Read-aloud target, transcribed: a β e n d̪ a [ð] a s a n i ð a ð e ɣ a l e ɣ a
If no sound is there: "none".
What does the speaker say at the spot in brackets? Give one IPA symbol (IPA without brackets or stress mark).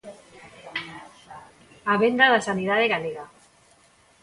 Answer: ð